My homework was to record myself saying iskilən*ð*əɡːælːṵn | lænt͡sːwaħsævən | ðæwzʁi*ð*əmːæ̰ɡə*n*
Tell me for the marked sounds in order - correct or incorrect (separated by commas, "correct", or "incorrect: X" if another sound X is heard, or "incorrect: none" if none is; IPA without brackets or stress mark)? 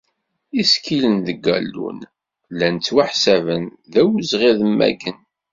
correct, correct, correct